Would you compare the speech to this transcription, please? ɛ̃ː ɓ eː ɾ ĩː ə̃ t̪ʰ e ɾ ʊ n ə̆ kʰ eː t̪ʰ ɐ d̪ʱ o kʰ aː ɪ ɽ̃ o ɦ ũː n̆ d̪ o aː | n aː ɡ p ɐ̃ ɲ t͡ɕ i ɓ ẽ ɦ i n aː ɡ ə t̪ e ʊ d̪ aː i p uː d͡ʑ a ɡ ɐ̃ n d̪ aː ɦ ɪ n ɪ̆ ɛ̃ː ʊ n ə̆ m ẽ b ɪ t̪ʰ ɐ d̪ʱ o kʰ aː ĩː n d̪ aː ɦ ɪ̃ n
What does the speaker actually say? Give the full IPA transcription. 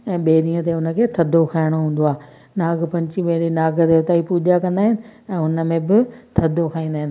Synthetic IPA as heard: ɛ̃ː ɓ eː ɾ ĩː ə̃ t̪ e ʊ n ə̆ kʰ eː t̪ʰ ɐ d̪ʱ o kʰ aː ɪ ɽ̃ o ɦ ũː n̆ d̪ o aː | n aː ɡ p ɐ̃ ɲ t͡ɕ i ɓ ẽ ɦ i n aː ɡ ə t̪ e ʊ t̪ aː i p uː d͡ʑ a k ɐ̃ n d̪ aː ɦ ɪ n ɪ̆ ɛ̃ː ʊ n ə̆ m ẽ b ɪ t̪ʰ ɐ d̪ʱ o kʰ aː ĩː n d̪ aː ɦ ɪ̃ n